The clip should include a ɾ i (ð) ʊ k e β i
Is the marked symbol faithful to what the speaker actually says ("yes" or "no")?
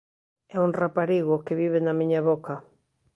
no